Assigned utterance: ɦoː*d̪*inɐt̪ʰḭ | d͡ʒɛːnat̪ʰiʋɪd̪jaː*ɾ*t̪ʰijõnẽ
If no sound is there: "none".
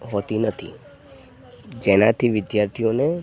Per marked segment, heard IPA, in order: t̪, ɾ

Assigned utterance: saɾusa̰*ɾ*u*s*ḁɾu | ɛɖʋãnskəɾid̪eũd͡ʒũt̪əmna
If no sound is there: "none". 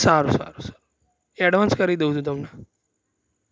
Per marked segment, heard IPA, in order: ɾ, s

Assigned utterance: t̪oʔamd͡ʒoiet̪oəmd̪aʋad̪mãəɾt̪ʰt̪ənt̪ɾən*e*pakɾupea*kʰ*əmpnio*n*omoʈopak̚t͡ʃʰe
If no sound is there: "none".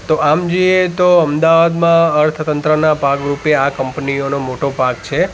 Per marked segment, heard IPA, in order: a, k, n

